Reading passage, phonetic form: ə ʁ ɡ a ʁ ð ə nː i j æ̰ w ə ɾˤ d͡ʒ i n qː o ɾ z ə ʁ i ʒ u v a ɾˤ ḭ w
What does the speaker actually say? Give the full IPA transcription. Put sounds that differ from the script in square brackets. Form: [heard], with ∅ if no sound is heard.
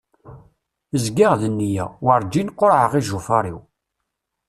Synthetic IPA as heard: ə [z] ɡ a ʁ ð ə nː i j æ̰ w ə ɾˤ d͡ʒ i n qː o ɾ [ʕ] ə ʁ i ʒ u [f] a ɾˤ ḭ w